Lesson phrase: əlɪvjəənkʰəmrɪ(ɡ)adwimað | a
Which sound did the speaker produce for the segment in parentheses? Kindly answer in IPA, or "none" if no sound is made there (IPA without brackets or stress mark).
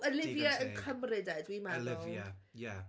d